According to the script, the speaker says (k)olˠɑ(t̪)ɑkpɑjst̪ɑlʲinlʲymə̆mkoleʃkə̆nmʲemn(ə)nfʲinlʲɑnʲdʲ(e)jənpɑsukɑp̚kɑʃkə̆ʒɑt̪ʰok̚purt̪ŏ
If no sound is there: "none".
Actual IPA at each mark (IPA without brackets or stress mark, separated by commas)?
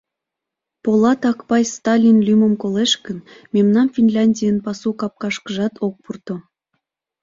p, t̪, ɑ, i